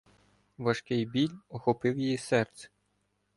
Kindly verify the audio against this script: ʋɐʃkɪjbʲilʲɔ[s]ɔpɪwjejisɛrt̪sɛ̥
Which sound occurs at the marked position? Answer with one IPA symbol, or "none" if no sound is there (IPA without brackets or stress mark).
x